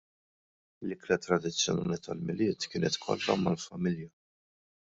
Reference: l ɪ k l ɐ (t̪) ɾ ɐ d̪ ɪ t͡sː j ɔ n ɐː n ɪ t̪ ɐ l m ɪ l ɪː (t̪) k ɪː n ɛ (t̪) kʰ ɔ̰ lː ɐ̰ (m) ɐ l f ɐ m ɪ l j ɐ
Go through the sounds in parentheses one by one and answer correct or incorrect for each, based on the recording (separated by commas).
correct, correct, correct, correct